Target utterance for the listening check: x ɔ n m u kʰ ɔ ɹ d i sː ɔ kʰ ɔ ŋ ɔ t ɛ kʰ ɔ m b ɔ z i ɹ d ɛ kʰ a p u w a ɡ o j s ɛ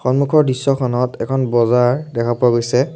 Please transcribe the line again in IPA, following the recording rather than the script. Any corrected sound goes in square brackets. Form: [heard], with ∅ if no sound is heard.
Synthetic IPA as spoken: x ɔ n m u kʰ ɔ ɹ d i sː ɔ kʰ ɔ [n] ɔ t ɛ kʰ ɔ [n] b ɔ z [a] ɹ d ɛ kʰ a p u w a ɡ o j s ɛ